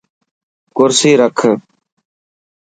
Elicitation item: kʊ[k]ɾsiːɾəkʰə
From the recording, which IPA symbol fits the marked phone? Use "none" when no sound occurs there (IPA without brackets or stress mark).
none